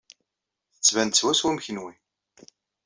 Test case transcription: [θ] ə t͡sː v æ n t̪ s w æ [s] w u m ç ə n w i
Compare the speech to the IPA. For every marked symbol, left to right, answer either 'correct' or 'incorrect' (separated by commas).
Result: correct, correct